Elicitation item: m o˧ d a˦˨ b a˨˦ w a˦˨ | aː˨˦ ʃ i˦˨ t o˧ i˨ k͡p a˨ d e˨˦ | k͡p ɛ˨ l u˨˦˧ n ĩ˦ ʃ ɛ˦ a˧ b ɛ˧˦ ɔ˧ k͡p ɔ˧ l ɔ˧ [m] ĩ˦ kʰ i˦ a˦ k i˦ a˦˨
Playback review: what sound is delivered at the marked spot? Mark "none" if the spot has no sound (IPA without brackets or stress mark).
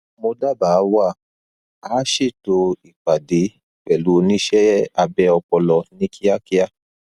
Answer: n